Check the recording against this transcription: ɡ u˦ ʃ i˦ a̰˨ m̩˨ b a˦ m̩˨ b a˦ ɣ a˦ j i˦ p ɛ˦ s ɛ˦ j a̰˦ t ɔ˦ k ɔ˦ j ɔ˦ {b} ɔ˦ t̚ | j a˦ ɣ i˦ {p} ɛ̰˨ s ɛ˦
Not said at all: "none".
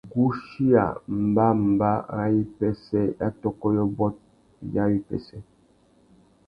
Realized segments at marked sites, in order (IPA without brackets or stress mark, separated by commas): b, p